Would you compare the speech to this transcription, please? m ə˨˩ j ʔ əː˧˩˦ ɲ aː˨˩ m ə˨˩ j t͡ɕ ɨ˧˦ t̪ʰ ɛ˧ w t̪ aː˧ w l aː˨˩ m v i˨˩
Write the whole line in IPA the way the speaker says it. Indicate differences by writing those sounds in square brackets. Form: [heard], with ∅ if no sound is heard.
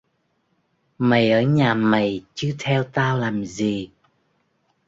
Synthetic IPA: m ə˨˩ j ʔ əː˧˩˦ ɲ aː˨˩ m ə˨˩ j t͡ɕ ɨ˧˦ t̪ʰ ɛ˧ w t̪ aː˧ w l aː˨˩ m [z] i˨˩